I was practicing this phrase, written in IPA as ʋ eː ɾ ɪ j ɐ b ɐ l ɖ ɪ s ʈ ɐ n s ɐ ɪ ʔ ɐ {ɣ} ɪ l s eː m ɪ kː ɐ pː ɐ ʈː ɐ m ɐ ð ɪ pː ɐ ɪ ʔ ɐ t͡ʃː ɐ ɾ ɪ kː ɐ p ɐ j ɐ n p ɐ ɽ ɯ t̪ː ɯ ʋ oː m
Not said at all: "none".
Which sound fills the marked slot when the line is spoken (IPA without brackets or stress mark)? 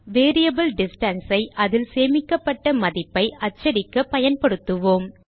ð